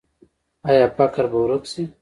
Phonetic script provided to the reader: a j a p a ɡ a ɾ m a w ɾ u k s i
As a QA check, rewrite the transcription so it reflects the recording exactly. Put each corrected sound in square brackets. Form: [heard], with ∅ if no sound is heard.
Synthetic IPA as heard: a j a p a [k] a ɾ [b] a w ɾ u k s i